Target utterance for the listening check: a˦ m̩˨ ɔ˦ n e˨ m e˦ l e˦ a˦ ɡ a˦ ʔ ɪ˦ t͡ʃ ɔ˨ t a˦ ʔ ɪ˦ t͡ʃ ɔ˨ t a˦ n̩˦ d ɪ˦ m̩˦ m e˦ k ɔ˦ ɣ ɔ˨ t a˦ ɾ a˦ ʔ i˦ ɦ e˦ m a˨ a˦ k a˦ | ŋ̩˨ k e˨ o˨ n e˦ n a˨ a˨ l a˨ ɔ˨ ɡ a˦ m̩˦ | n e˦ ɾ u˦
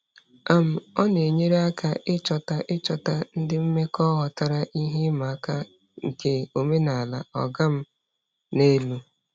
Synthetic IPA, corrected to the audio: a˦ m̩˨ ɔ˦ n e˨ ɲ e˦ ɾ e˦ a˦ k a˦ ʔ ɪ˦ t͡ʃ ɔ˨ t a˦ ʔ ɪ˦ t͡ʃ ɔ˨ t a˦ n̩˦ d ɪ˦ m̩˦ m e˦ k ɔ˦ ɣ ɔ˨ t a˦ ɾ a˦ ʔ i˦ ɦ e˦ m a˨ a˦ k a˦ | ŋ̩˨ k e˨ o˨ m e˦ n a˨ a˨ l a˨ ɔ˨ ɡ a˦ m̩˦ | n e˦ l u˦